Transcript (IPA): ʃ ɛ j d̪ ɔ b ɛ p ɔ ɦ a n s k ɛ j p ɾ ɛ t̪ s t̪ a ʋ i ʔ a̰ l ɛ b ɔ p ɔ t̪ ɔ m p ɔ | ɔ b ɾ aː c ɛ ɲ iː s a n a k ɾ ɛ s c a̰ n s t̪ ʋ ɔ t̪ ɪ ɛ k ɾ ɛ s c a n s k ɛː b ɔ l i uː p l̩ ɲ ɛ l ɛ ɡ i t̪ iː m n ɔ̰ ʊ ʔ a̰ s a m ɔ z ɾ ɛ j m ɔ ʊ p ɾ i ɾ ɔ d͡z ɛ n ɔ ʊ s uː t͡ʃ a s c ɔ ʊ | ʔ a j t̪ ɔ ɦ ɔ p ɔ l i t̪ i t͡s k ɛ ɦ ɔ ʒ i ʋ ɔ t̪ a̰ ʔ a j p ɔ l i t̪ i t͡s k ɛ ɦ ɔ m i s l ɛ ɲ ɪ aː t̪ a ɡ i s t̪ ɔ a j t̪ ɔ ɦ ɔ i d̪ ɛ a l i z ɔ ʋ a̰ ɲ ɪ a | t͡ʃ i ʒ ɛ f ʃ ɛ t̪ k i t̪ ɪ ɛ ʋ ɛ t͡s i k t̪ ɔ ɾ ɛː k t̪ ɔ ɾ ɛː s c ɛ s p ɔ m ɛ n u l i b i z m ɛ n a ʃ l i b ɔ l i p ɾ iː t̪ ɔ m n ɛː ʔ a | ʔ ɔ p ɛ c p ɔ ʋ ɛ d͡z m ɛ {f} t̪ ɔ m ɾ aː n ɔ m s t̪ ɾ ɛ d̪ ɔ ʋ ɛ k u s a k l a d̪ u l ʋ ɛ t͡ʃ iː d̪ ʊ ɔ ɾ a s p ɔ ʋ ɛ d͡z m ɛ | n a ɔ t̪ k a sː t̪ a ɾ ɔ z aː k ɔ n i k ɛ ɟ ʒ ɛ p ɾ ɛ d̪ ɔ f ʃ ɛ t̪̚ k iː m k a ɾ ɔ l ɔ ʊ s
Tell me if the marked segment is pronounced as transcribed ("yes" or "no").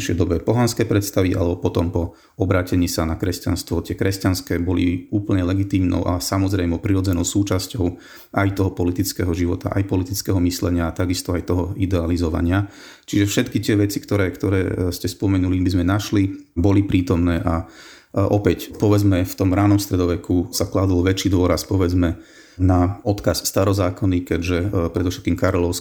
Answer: yes